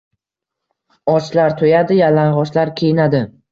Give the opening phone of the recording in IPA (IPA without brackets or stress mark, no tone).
ɒ